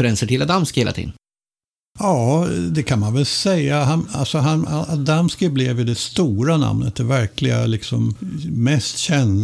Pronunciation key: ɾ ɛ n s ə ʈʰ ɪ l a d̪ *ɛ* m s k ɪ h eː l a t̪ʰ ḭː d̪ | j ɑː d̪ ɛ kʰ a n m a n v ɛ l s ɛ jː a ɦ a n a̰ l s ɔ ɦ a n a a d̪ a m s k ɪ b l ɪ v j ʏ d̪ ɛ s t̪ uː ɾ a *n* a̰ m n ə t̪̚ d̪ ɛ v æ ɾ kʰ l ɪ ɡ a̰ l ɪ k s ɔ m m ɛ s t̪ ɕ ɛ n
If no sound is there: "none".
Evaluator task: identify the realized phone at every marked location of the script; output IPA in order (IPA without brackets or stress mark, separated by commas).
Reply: a, n